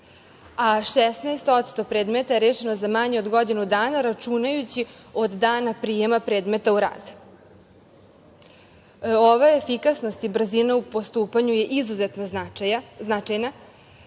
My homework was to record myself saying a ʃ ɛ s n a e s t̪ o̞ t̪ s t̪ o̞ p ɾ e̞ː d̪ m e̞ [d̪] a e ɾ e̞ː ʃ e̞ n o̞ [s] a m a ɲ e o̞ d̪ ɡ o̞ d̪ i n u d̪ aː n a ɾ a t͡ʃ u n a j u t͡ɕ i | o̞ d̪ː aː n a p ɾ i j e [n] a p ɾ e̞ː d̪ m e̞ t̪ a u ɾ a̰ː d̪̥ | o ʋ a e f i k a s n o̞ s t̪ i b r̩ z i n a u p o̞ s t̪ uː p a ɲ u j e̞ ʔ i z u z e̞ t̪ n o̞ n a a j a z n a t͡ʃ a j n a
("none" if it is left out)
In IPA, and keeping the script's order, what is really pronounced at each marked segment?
t̪, z, m

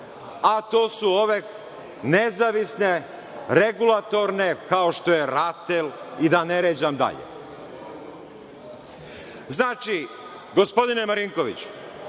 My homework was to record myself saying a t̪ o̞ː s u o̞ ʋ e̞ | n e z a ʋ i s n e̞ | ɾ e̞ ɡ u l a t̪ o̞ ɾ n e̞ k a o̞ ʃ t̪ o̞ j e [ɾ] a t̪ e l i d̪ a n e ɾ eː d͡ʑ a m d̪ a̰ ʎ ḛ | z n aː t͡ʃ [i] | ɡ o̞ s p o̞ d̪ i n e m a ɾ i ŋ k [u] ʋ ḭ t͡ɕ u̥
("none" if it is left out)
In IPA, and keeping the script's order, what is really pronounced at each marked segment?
ɾ, i, o

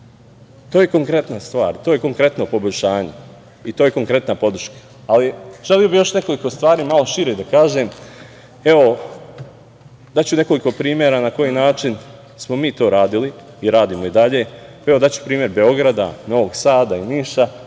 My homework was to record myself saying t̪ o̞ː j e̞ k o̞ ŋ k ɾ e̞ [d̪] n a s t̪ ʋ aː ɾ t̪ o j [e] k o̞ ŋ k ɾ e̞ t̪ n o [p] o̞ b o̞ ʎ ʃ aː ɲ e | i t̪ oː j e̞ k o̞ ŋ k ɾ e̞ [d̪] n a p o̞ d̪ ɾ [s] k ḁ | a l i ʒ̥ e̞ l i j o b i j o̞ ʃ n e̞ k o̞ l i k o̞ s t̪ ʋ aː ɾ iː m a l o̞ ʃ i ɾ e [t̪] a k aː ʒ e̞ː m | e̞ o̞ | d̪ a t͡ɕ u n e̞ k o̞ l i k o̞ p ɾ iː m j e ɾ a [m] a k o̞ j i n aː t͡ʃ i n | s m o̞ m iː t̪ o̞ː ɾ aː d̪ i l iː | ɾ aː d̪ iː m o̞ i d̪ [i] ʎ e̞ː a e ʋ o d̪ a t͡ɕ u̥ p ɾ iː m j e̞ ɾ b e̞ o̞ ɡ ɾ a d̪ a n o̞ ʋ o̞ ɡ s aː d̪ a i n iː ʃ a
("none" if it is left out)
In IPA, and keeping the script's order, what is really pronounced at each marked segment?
t̪, e, p, t̪, ʃ, d̪, n, a

